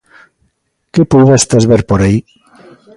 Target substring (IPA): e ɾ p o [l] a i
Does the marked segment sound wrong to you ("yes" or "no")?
yes